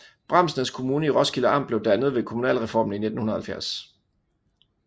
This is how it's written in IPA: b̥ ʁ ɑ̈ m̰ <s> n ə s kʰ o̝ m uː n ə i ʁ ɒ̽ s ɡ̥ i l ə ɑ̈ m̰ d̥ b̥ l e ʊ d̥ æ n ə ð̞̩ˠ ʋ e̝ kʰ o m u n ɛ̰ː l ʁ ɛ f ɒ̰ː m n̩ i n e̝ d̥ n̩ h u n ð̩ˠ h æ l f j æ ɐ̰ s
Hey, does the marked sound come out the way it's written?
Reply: yes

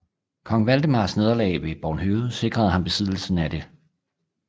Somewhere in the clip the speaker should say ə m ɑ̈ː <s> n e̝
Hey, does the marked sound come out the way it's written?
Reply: yes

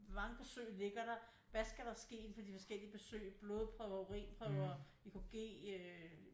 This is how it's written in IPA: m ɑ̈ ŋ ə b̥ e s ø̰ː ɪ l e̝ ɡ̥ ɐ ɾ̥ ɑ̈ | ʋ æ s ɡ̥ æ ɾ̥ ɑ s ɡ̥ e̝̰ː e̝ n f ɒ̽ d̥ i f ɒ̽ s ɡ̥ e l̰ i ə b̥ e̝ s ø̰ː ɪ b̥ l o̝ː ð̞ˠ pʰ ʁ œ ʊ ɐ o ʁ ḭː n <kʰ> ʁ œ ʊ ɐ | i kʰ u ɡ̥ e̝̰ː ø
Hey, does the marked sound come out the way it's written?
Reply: no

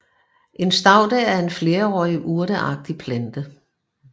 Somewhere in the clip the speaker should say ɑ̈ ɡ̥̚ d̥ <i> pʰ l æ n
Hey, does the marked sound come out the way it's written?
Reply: yes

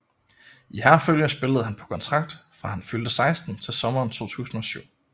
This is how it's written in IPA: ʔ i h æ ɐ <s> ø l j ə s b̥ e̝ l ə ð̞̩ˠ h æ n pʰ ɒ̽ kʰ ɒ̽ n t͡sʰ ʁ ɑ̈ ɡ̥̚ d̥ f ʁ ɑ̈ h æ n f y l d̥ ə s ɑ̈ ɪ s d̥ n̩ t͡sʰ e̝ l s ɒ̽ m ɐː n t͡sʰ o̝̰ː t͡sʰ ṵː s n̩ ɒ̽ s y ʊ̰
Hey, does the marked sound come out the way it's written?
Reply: no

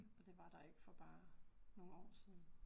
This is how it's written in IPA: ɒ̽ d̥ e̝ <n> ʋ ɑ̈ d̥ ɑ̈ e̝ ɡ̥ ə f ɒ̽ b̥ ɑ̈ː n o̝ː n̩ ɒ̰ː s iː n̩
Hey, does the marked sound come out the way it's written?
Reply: no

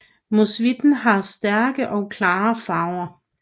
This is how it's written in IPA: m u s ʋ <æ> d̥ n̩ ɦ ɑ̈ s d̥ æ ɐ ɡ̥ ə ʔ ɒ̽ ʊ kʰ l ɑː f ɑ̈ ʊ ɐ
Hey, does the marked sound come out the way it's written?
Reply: no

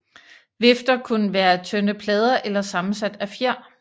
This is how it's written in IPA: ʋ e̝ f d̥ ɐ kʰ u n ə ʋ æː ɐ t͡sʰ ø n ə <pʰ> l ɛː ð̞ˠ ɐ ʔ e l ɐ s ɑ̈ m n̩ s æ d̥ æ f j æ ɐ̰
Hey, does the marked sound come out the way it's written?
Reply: yes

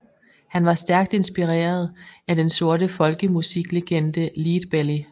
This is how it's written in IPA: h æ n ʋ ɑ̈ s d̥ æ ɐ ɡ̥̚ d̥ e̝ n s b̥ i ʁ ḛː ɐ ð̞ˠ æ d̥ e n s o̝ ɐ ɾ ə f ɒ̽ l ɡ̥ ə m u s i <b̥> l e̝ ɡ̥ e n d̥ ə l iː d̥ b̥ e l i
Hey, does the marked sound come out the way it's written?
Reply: no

